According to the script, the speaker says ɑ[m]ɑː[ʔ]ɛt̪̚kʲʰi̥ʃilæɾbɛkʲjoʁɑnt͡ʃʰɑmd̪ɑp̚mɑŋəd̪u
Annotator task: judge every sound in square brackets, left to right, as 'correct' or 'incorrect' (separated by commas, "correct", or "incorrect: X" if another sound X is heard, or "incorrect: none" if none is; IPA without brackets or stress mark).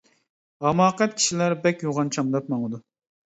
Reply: correct, incorrect: q